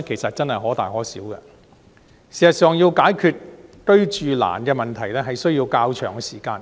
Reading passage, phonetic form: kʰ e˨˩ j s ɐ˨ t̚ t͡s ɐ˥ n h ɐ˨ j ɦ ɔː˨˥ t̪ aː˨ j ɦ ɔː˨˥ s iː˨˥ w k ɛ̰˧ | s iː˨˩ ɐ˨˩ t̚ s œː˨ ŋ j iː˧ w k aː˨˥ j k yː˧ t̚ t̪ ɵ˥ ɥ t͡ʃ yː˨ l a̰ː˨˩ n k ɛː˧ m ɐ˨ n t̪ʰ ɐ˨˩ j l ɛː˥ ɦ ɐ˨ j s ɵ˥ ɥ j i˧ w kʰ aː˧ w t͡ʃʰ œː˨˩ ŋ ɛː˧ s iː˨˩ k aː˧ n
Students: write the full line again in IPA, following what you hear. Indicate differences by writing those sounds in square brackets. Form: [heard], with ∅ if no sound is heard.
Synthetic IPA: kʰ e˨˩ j s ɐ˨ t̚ t͡s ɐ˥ n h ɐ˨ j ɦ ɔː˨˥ t̪ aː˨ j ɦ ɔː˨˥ s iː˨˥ w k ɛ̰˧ | s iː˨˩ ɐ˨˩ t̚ s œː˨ ŋ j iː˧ w k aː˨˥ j [kʰ] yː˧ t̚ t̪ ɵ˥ ɥ t͡ʃ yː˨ l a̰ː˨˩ n k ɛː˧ m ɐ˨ n t̪ʰ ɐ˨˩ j l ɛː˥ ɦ ɐ˨ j s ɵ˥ ɥ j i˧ w [k] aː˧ w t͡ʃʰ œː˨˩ ŋ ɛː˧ s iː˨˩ k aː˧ n

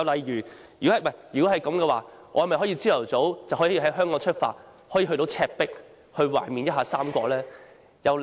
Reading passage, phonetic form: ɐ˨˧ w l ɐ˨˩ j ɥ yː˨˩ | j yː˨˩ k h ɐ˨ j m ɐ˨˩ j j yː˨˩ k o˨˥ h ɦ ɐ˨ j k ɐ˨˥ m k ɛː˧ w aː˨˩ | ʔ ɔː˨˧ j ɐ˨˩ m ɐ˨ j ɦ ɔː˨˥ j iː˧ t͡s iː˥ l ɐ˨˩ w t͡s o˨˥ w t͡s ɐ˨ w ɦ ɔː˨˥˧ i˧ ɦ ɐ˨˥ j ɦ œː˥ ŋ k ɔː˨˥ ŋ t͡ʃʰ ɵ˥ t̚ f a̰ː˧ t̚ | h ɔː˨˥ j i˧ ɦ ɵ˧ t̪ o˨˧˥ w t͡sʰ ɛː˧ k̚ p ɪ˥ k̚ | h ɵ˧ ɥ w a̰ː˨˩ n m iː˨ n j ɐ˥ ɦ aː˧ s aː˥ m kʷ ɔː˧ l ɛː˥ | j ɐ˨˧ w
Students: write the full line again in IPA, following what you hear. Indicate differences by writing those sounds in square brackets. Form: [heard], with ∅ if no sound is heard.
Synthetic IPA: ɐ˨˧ w l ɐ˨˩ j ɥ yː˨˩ | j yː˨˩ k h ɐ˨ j m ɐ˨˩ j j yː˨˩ k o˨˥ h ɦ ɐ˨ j k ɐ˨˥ m k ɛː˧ w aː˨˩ | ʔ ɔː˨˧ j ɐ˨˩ m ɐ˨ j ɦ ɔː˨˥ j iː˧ t͡s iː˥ l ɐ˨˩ w t͡s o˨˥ w t͡s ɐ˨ w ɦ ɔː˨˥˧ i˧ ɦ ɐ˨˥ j ɦ œː˥ ŋ k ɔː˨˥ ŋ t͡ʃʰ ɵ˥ t̚ f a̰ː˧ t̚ | h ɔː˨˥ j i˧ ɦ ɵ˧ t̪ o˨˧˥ w t͡sʰ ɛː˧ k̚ p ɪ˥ k̚ | h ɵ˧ ɥ w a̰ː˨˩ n m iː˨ n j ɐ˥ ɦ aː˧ s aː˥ m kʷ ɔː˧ l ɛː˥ | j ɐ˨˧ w

